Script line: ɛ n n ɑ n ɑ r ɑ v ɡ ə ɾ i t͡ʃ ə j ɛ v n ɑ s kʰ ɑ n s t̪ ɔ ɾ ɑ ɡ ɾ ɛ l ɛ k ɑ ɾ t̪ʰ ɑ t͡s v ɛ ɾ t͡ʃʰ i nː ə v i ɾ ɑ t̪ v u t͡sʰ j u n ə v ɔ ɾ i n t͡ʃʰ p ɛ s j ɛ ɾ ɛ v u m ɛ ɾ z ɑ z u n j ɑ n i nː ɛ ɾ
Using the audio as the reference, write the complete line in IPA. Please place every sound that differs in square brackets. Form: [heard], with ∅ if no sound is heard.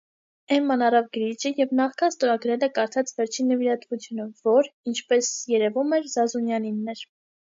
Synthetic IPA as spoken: ɛ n [m] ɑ n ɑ r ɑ v ɡ ə ɾ i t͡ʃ ə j ɛ v n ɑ [χ] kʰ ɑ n s t̪ ɔ ɾ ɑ ɡ ɾ ɛ l ɛ k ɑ ɾ t̪ʰ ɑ t͡s v ɛ ɾ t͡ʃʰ i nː ə v i ɾ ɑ t̪ v u t͡sʰ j u n ə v ɔ ɾ i n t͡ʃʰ p ɛ s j ɛ ɾ ɛ v u m ɛ ɾ z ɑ z u n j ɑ n i nː ɛ ɾ